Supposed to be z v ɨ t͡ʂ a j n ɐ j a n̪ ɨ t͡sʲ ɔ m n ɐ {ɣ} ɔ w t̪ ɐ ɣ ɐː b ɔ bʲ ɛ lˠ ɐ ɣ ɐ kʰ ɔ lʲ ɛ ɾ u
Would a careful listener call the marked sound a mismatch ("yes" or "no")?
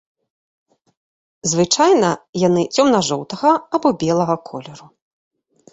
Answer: yes